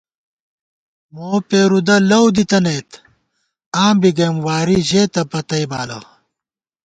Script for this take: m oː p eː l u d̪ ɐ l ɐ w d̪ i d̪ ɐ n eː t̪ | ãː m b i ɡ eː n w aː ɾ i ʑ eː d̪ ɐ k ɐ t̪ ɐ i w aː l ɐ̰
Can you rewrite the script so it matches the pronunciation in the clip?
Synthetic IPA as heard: m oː p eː ɾ u d̪ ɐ l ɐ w d̪ i t̪ ɐ n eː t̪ | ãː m b i ɡ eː m w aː ɾ i ʑ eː t̪ ɐ p ɐ t̪ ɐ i b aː l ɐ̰